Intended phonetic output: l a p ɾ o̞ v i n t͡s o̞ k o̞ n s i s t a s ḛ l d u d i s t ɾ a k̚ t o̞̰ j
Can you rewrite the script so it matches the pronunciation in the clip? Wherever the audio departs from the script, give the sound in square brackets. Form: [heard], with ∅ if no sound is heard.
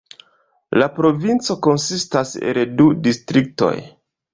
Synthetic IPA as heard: l a p ɾ o̞ v i n t͡s o̞ k o̞ n s i s t a s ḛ l d u d i s t ɾ [i] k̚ t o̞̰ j